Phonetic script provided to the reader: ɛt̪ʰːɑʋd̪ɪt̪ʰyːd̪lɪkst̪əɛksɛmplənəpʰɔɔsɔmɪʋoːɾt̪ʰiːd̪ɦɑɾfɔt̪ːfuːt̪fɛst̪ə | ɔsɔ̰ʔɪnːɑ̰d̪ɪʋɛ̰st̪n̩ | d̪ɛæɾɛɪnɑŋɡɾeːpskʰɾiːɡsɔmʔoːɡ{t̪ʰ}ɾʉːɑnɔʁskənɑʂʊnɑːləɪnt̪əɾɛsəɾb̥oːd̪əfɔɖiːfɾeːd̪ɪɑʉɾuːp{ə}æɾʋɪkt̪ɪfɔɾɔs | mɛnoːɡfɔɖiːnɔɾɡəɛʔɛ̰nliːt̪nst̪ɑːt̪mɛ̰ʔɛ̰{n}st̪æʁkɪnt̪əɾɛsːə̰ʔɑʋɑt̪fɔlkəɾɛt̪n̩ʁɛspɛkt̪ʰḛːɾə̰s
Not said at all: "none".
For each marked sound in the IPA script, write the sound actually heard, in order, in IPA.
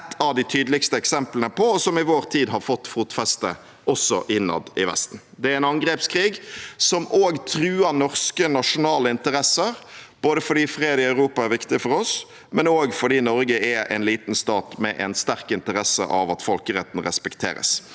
t̪ʰ, ɑ, n

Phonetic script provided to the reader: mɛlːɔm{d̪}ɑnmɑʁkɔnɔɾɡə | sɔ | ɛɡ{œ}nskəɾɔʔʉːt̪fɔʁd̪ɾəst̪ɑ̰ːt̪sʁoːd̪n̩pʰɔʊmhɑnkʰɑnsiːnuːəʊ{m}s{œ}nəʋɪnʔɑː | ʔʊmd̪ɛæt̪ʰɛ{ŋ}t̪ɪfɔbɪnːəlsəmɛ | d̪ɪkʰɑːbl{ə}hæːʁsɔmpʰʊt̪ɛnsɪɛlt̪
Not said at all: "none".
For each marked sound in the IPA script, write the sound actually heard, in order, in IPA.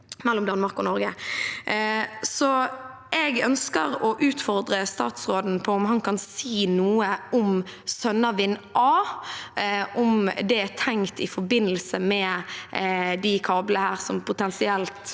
d̪, œ, m, œ, ŋ, ə

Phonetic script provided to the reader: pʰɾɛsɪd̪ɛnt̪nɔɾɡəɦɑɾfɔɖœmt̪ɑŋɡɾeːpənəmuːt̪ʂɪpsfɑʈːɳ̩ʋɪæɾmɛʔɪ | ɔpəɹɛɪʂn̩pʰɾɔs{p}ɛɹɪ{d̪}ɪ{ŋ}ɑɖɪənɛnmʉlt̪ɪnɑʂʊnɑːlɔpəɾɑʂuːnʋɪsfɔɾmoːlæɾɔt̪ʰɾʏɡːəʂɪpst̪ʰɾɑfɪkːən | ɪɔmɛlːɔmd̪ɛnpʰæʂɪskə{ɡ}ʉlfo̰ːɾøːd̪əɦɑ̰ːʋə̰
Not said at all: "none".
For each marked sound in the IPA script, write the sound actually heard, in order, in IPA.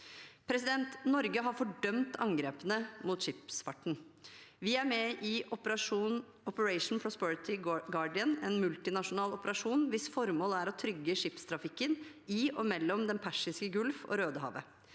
p, t̪, ɡ, ɡ

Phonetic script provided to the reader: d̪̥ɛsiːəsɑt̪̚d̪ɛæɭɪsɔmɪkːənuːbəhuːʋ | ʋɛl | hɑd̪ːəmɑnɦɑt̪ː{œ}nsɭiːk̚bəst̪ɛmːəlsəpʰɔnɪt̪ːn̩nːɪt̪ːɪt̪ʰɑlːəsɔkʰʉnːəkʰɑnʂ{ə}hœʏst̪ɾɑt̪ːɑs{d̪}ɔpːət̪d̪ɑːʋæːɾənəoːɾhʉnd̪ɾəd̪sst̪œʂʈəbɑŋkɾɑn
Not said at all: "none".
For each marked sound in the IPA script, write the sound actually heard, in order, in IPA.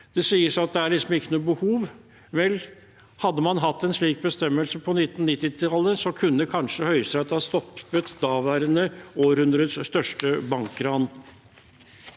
ɛ, ə, t̪

